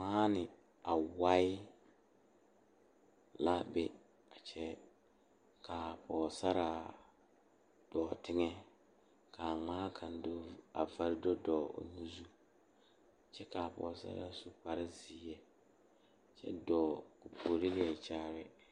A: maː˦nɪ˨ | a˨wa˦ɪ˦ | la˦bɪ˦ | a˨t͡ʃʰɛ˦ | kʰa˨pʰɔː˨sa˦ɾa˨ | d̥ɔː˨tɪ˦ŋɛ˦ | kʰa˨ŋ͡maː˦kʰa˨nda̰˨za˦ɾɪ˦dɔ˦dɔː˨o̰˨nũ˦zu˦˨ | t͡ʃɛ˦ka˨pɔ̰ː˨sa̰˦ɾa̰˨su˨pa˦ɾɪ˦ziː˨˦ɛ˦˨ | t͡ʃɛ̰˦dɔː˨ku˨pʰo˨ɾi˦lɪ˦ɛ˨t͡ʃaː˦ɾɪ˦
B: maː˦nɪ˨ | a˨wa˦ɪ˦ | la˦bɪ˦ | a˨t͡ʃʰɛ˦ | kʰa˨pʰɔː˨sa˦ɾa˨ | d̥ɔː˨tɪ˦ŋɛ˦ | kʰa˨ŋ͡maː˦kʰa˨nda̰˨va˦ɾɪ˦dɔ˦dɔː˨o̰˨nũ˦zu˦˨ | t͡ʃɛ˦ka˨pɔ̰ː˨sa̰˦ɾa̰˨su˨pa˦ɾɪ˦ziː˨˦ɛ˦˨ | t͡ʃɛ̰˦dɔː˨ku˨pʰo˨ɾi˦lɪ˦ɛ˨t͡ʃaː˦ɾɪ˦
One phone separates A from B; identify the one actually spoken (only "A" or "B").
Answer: B